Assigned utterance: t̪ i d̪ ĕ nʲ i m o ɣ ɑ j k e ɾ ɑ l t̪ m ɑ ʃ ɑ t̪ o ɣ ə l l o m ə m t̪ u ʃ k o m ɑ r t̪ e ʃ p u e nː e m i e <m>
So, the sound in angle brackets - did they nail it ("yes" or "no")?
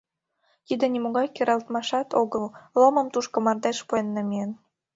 no